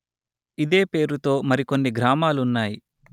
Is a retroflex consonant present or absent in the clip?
absent